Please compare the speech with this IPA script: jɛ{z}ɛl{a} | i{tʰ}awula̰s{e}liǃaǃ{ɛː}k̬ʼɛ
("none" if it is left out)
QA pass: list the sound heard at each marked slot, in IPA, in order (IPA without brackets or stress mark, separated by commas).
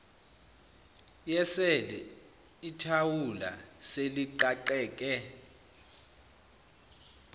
s, ɛ, tʰ, e, ɛː